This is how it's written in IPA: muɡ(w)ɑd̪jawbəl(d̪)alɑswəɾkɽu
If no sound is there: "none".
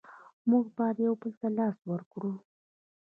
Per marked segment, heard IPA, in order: b, t̪

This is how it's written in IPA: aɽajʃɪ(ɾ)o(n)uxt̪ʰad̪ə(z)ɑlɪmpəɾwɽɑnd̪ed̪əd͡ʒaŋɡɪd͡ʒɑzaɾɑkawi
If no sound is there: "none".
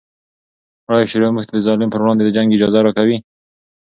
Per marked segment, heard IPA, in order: ɾ, m, z

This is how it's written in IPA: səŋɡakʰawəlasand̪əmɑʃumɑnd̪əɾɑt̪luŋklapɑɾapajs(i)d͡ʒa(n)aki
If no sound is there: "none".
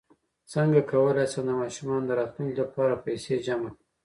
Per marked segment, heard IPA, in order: e, m

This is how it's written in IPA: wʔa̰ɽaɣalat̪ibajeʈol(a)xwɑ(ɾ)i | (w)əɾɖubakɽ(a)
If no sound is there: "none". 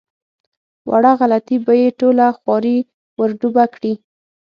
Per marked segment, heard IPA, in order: a, ɾ, w, i

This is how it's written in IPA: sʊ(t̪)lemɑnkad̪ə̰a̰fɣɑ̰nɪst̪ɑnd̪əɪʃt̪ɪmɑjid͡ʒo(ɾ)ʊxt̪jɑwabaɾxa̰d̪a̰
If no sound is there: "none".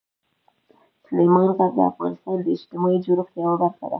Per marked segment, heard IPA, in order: none, ɾ

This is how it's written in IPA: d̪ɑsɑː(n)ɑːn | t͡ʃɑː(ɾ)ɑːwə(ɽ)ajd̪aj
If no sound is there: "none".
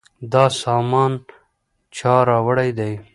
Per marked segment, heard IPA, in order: m, ɾ, ɽ

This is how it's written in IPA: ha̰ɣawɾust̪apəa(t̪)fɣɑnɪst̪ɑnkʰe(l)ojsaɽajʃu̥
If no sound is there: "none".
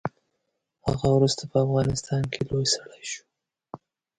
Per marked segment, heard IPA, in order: none, l

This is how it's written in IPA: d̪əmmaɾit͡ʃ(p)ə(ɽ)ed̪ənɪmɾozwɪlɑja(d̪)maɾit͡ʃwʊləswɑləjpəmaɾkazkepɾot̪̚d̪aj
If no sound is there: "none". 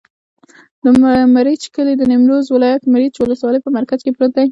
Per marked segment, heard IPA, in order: k, l, t̪

